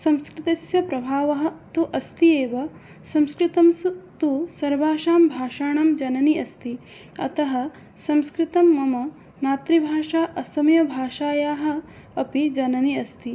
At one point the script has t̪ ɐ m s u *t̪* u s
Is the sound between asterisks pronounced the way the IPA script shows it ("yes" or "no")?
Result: yes